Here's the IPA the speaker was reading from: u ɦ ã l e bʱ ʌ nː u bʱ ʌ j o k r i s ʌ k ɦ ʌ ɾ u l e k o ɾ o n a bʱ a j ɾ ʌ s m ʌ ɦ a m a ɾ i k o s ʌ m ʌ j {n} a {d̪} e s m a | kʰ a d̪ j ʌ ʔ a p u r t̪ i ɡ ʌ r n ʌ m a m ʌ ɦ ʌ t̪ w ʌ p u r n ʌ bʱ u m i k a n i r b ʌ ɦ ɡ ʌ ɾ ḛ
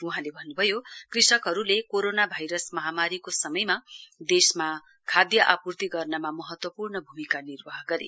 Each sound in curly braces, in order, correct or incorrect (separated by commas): incorrect, correct